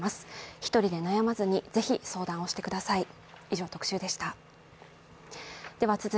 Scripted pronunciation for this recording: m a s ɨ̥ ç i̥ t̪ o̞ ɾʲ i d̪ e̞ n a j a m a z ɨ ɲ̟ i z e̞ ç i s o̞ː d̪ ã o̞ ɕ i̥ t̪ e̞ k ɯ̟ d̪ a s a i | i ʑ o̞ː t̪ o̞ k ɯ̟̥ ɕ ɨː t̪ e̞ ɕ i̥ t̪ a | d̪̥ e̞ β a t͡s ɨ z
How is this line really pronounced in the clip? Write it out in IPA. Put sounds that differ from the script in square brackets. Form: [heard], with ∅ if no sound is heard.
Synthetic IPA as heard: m a s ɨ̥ ç i̥ t̪ o̞ ɾʲ i d̪ e̞ n a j a m a z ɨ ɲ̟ i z e̞ ç i s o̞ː d̪ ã o̞ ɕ i̥ t̪ e̞ k ɯ̟ d̪ a s a i | i ʑ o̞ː t̪ o̞ k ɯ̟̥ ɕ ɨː [d̪] e̞ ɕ i̥ t̪ a | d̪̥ e̞ β a t͡s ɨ z